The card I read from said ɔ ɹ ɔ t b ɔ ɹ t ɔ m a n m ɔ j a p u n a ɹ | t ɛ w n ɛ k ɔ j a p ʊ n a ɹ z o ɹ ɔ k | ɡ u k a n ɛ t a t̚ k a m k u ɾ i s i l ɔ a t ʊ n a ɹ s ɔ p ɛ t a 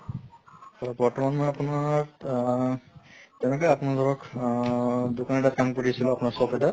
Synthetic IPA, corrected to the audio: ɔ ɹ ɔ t b ɔ ɹ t ɔ m a n m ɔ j a p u n a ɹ | t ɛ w n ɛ k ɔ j a p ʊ n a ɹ z ɔ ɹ ɔ k | d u k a n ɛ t a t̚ k a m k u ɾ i s i l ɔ a p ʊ n a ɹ s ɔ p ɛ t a

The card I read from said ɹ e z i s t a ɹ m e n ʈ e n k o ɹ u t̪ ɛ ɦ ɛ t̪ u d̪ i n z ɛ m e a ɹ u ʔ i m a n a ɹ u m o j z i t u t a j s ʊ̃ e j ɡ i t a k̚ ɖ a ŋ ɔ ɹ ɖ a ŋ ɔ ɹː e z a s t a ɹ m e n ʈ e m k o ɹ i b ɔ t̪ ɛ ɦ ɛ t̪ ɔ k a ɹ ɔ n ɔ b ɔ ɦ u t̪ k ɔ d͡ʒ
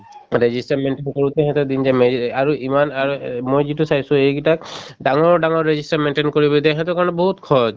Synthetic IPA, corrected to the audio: ɹ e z i s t a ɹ m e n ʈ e n k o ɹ u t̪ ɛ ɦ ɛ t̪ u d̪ i n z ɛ m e a ɹ u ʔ i m a n a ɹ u m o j z i t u s a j s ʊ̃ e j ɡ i t a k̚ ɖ a ŋ ɔ ɹ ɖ a ŋ ɔ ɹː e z i s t a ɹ m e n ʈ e n k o ɹ i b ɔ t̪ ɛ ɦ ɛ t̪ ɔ k a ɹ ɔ n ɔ b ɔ ɦ u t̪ kʰ ɔ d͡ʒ

